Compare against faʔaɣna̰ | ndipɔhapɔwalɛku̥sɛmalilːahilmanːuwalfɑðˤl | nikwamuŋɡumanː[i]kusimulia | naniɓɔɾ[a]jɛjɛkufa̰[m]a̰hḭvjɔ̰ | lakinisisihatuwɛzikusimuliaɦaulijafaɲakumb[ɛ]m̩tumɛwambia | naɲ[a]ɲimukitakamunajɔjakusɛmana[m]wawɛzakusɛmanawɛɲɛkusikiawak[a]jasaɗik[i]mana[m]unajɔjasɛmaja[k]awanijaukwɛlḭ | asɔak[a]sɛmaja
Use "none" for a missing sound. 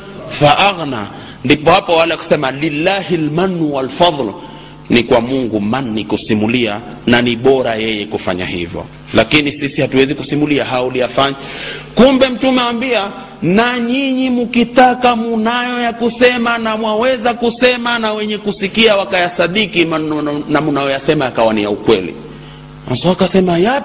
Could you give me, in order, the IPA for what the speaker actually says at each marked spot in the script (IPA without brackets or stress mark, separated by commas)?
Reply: i, a, ɲ, ɛ, i, m, a, i, m, k, a